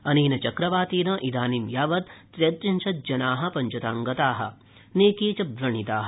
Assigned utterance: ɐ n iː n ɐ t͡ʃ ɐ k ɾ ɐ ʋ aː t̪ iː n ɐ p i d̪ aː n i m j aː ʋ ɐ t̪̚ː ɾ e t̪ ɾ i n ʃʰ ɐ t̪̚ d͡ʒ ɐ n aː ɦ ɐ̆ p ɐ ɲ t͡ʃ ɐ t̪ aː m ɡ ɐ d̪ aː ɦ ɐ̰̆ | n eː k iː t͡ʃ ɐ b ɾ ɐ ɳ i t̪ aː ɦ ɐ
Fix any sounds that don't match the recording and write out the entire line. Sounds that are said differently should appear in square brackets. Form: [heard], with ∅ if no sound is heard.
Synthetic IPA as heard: ɐ n iː n ɐ t͡ʃ ɐ k ɾ ɐ ʋ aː t̪ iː n ɐ [ʔ] i d̪ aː n i m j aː ʋ ɐ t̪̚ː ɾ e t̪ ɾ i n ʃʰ ɐ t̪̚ d͡ʒ ɐ n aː ɦ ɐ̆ p ɐ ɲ t͡ʃ ɐ t̪ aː [ŋ] ɡ ɐ [t̪] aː ɦ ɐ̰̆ | n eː k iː t͡ʃ ɐ b ɾ ɐ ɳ i t̪ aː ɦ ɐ